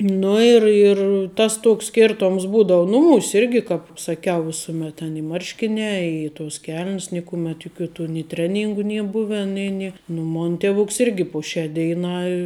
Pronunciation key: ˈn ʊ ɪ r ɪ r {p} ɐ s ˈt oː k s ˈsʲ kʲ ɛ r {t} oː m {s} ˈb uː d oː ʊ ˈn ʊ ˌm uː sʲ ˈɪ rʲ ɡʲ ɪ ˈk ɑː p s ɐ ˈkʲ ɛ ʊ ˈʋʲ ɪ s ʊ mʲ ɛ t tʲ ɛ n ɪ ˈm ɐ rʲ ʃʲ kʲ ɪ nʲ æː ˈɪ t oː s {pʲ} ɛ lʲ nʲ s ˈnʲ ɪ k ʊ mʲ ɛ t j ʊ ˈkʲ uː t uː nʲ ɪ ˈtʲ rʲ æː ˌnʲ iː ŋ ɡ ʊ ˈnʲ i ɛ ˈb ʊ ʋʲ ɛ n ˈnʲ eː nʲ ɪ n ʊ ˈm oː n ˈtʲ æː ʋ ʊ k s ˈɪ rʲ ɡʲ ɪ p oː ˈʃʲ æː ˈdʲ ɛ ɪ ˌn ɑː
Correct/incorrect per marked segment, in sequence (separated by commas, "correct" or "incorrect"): incorrect, correct, correct, incorrect